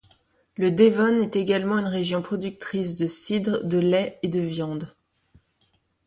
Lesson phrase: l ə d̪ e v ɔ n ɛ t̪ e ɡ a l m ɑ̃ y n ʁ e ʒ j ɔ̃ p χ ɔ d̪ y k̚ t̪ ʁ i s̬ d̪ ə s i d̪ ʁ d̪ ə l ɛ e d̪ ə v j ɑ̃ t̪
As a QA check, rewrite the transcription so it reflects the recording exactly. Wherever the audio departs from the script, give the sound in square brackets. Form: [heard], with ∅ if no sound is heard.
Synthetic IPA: l ə d̪ e v ɔ n ɛ t̪ e ɡ a l m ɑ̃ y n ʁ e ʒ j ɔ̃ p χ ɔ d̪ y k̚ t̪ [χ] i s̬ d̪ ə s i d̪ ʁ d̪ ə l ɛ e d̪ ə v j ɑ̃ [d̪]